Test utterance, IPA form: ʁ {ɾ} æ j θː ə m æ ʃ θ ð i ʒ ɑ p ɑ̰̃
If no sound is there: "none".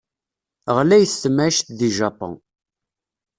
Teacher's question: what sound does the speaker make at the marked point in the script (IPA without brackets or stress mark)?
l